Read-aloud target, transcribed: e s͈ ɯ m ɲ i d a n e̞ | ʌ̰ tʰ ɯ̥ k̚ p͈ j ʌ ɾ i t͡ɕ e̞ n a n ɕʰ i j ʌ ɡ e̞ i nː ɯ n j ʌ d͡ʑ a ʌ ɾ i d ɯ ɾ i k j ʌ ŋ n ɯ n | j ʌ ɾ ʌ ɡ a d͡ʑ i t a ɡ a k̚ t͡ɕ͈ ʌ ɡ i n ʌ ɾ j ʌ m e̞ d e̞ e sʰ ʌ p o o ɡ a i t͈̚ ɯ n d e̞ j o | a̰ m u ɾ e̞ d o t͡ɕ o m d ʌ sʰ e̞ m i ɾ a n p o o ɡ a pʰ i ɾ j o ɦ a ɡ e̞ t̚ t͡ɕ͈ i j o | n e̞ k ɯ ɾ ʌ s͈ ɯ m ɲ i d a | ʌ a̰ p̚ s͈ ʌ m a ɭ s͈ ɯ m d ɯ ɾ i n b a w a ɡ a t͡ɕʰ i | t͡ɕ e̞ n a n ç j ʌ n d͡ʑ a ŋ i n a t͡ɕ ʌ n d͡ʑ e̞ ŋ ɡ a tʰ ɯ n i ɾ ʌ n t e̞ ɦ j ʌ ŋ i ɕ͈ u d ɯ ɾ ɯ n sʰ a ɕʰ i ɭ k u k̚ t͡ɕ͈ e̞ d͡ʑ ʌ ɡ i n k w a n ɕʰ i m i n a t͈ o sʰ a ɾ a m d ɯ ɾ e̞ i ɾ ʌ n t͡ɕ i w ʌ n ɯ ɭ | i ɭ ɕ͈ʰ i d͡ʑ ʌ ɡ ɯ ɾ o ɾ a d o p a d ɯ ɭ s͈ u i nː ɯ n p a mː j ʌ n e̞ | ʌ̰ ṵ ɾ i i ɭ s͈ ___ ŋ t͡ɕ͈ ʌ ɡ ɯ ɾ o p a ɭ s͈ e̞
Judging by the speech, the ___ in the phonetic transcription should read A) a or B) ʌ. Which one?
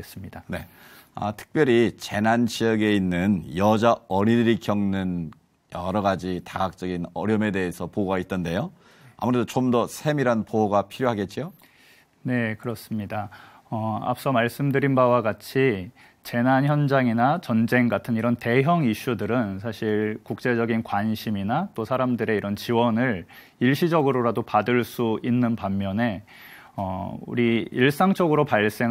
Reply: A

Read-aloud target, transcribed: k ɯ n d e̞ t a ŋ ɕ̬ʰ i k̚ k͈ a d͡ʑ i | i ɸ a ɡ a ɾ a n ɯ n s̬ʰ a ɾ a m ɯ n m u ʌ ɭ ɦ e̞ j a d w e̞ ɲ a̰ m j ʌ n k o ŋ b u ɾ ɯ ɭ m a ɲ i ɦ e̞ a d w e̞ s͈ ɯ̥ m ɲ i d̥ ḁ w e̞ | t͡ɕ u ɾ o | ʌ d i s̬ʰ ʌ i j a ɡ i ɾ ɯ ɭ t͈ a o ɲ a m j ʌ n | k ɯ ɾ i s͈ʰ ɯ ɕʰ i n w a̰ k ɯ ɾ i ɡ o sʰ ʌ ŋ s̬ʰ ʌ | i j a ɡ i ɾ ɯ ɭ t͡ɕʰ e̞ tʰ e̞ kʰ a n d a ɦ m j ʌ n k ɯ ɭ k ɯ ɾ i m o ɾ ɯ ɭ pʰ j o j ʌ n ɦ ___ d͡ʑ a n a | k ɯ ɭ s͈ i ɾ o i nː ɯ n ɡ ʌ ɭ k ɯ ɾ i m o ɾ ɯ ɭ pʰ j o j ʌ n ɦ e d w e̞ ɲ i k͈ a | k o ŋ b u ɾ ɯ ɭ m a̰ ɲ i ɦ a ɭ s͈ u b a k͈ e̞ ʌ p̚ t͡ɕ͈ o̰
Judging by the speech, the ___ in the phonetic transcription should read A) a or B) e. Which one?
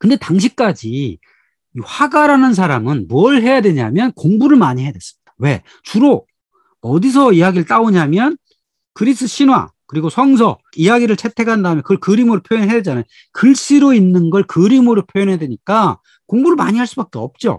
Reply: B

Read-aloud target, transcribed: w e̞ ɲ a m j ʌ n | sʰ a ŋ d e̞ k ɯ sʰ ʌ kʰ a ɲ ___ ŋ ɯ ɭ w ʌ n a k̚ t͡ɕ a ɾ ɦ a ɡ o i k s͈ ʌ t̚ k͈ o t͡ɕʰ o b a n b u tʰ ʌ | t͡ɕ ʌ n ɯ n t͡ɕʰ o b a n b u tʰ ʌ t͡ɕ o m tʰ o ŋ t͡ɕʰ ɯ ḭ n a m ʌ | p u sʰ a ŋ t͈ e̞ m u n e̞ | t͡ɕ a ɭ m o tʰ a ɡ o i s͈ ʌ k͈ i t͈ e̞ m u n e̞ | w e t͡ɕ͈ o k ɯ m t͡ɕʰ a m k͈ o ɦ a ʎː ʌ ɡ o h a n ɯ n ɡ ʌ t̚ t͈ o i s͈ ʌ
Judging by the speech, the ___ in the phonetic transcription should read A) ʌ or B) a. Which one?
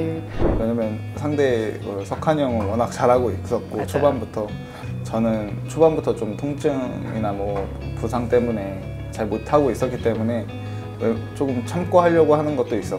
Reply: A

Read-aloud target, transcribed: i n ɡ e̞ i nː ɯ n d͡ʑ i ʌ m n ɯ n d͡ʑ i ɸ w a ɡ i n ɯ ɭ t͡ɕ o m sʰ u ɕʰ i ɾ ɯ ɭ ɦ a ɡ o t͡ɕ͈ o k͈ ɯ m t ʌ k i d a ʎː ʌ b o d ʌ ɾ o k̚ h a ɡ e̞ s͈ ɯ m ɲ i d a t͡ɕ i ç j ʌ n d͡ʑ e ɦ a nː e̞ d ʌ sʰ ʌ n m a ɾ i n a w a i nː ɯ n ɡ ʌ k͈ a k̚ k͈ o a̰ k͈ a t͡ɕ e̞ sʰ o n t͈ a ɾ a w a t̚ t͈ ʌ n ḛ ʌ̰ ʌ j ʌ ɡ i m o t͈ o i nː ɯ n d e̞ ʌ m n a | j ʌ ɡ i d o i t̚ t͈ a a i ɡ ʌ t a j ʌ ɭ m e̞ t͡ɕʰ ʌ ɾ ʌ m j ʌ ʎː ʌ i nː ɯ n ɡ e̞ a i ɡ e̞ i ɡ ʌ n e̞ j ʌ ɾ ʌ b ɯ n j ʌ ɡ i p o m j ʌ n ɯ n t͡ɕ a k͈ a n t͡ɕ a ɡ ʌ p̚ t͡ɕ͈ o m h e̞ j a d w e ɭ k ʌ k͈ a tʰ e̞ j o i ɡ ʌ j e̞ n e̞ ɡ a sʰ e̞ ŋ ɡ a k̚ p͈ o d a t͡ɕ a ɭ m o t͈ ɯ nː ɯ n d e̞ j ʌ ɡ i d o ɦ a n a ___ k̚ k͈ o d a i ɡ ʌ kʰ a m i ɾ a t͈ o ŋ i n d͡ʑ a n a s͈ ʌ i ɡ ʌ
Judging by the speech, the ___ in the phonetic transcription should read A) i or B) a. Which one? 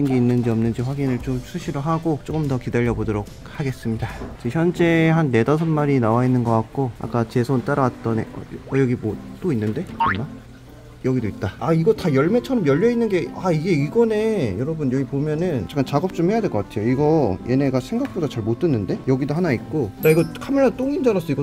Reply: A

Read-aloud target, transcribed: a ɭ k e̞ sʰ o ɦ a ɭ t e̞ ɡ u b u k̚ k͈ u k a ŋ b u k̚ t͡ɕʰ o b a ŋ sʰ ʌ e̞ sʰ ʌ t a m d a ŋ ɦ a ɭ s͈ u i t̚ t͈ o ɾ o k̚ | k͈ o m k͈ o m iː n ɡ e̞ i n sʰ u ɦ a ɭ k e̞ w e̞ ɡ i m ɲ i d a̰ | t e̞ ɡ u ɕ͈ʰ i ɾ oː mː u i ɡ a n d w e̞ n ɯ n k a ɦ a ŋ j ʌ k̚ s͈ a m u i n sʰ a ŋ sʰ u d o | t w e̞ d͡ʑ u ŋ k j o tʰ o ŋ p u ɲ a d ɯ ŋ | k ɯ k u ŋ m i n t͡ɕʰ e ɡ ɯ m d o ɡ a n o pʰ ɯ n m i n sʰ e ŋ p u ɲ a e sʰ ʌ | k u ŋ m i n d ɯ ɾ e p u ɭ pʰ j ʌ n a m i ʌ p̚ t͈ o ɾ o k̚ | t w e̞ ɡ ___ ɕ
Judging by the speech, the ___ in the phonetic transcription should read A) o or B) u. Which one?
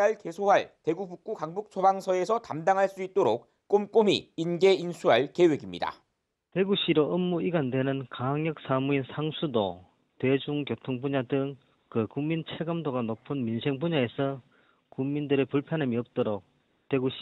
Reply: B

